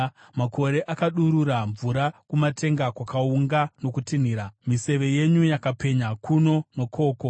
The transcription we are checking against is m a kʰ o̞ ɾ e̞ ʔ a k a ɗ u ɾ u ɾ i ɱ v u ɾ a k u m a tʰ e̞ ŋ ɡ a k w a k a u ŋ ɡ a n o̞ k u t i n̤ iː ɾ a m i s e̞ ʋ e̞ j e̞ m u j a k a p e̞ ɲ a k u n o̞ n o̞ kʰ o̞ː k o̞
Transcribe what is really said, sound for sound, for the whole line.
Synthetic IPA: m a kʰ o̞ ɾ e̞ ʔ a k a ɗ u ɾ u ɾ a ɱ v u ɾ a k u m a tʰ e̞ ŋ ɡ a k w a k a u ŋ ɡ a n o̞ k u t i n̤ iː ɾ a m i s e̞ ʋ e̞ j e̞ ɲ u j a k a p e̞ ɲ a k u n o̞ n o̞ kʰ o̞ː k o̞